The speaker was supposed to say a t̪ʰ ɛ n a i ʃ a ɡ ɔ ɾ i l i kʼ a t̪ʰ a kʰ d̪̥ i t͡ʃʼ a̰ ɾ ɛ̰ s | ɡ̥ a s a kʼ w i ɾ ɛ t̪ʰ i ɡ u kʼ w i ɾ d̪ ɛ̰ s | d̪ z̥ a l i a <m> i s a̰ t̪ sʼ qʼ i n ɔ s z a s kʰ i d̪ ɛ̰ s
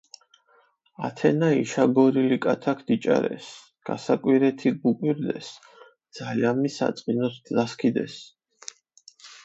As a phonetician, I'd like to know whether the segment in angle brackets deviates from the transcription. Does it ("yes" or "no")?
no